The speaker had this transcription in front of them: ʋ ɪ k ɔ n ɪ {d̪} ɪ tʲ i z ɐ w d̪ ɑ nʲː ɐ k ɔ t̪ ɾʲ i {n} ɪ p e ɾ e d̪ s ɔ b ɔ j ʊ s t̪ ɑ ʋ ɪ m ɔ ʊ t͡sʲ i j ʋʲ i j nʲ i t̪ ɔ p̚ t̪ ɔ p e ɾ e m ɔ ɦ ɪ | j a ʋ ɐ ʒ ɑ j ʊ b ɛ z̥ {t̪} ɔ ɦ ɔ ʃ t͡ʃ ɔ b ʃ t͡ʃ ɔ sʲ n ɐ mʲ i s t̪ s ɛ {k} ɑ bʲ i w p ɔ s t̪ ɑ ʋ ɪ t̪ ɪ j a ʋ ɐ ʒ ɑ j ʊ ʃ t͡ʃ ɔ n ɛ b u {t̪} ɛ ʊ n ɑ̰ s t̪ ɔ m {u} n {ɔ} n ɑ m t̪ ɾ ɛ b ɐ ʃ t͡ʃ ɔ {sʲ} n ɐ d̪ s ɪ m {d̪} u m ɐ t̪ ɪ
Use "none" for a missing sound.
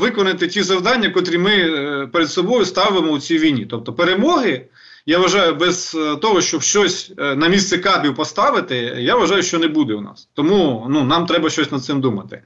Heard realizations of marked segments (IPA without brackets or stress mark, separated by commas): t̪, m, t̪, k, d̪, u, u, sʲ, d̪